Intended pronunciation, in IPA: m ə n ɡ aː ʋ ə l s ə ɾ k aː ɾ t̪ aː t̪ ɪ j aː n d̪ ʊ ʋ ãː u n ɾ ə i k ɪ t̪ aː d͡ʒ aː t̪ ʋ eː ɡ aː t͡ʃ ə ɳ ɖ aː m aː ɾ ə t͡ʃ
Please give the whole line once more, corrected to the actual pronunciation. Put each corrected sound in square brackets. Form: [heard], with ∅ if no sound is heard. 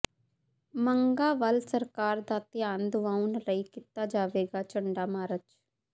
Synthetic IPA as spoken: m ə [ŋ] ɡ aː ʋ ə l s ə ɾ k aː ɾ [d̪] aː t̪ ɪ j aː n d̪ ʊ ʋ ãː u n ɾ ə i k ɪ t̪ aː d͡ʒ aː [∅] ʋ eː ɡ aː t͡ʃ ə ɳ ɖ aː m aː ɾ ə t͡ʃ